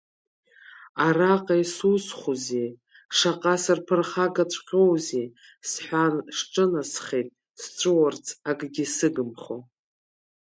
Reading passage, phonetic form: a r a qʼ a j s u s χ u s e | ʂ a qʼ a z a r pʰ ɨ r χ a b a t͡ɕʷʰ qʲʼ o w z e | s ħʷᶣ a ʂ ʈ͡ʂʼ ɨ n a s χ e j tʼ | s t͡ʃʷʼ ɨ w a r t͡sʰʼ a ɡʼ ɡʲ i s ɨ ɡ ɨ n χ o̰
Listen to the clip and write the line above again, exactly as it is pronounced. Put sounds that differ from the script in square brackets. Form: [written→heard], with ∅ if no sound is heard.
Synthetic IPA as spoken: a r a qʼ a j s u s χ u [s→z] e | ʂ a qʼ a [z→s] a r pʰ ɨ r χ a [b→ɡ] a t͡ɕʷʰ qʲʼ o w z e | s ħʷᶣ a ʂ ʈ͡ʂʼ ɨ n a s χ e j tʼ | s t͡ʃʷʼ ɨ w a r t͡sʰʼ a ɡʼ ɡʲ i s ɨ ɡ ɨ [n→m] χ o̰